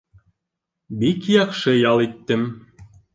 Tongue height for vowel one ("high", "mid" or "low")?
high